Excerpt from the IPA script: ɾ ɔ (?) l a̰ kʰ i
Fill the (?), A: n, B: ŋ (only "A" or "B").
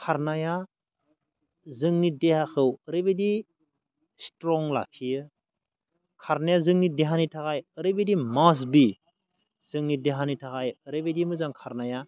B